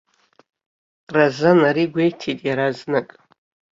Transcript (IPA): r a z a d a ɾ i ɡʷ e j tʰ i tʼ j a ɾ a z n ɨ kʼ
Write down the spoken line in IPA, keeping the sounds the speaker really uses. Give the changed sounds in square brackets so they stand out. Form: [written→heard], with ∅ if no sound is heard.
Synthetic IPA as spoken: r a z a [d→n] a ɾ i ɡʷ e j tʰ i tʼ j a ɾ a z n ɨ kʼ